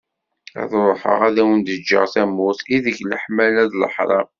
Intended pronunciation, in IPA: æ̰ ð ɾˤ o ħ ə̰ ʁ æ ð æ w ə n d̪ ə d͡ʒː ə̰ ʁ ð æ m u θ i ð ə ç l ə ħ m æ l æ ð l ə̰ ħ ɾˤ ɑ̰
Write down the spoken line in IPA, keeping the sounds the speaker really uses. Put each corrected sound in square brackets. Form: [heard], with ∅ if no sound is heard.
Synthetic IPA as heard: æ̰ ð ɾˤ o ħ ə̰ ʁ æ ð æ w ə n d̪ ə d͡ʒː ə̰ ʁ [θ] æ m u θ i ð ə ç l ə ħ m æ l æ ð l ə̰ ħ ɾˤ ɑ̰